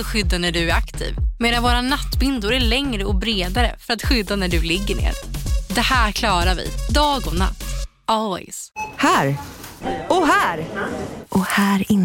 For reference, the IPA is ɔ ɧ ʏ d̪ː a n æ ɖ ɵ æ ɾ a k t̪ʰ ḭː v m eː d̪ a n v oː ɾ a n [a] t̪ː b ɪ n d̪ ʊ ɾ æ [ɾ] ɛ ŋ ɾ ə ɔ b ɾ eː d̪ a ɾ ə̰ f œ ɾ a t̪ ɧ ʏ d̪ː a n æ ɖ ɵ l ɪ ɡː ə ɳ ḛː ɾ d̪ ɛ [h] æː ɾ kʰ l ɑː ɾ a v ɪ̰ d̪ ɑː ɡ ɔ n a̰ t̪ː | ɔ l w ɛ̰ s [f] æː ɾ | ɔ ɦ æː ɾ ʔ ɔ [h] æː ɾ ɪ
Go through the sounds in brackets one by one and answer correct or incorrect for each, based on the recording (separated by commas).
correct, incorrect, correct, incorrect, correct